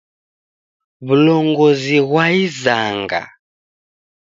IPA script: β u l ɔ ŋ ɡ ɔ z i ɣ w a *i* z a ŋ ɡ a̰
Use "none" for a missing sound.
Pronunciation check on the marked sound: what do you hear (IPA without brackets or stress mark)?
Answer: i